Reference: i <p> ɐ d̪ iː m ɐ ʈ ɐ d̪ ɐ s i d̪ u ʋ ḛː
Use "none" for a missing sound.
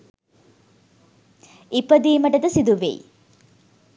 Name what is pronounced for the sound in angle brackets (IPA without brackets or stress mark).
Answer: p